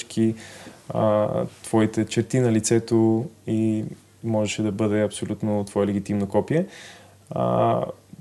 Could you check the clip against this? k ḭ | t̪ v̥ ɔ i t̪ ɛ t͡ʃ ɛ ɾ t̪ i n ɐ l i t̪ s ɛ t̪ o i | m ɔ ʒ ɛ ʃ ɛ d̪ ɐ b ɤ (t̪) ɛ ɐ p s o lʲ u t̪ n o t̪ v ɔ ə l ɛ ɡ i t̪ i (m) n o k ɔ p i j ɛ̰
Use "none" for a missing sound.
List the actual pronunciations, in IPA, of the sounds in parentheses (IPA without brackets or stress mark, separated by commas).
d̪, m